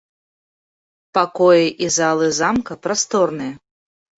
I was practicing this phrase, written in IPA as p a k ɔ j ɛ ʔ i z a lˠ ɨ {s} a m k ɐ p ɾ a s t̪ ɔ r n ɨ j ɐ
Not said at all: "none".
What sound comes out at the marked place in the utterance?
z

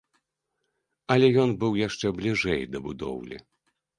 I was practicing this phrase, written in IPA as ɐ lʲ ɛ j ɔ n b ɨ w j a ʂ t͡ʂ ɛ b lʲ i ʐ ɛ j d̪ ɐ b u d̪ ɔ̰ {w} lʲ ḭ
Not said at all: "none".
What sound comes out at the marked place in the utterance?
w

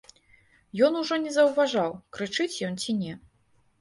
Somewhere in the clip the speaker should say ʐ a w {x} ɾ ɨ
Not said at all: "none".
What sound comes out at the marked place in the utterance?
k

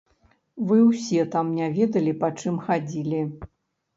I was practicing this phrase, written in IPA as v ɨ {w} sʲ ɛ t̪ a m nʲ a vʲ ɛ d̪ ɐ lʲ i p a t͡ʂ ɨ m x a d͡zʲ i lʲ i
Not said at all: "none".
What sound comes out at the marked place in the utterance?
w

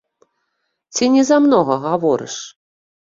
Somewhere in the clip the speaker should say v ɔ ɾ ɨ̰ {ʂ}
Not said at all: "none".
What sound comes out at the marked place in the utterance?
ʂ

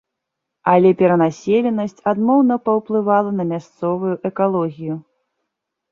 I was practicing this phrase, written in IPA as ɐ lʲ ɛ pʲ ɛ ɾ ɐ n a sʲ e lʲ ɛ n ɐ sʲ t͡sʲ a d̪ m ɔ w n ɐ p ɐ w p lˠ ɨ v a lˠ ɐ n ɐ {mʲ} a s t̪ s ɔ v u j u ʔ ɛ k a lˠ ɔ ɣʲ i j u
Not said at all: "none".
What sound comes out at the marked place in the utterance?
mʲ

